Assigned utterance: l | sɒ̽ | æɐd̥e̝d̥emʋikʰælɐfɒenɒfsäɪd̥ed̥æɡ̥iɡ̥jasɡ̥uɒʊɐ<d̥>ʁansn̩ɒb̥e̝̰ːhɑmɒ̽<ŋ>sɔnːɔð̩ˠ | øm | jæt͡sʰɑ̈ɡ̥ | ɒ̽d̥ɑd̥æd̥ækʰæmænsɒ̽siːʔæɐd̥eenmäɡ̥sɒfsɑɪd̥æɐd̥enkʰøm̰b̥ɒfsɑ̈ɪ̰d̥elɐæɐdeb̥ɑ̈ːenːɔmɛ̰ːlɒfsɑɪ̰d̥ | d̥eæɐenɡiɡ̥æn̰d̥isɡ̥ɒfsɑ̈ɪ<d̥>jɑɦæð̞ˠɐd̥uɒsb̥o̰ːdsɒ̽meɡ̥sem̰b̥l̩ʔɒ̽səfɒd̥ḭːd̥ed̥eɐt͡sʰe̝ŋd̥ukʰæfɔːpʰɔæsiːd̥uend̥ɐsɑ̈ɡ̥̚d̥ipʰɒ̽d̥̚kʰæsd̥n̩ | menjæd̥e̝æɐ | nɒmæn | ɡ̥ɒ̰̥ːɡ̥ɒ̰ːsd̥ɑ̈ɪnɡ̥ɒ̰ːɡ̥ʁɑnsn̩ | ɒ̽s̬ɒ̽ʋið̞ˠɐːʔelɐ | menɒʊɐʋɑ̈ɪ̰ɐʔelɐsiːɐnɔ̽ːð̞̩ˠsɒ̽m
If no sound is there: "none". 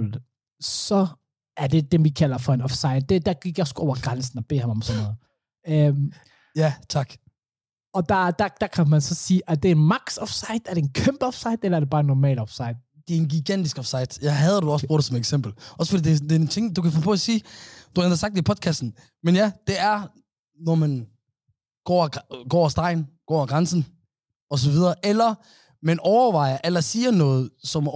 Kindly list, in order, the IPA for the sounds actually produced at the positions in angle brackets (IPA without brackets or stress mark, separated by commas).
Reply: ɡ̥, m, d̥